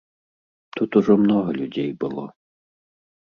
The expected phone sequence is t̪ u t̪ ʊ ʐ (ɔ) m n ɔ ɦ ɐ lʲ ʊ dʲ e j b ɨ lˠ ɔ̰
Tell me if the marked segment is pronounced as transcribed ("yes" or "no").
yes